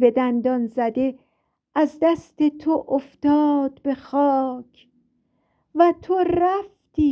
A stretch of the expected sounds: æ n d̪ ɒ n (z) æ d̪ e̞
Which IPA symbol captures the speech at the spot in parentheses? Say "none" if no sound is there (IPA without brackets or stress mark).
z